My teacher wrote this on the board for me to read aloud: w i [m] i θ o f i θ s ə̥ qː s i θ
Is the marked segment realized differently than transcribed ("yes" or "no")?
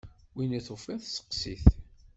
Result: yes